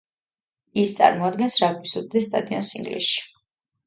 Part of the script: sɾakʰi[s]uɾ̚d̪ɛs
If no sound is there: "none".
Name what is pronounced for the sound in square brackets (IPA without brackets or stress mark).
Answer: s